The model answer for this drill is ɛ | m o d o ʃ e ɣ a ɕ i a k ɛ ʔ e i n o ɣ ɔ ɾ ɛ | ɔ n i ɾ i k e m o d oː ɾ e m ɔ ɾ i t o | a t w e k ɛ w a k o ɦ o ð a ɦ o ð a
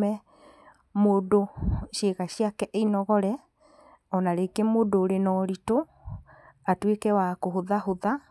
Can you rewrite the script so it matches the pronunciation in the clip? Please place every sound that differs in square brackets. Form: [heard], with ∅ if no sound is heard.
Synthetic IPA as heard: ɛ | m o d o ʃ e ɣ a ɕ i a k ɛ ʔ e i n [ɔ] ɣ ɔ ɾ ɛ | ɔ n [a] ɾ [e] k e m o d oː ɾ e [n] ɔ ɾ i t o | a t w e k ɛ w a k o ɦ o ð a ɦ o ð a